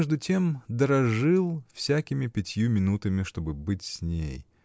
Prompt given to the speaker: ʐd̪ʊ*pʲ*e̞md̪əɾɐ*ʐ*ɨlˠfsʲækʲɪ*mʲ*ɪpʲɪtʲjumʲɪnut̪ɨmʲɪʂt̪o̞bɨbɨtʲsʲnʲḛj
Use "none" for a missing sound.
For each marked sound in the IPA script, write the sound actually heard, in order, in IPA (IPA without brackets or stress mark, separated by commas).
tʲ, ʐ, mʲ